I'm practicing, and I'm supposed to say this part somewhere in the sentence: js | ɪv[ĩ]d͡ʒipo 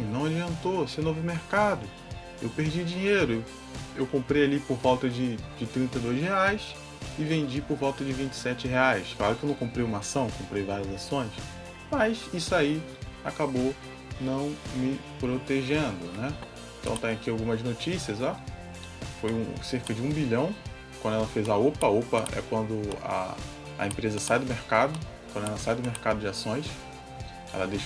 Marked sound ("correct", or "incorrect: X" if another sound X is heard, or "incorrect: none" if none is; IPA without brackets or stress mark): incorrect: ẽ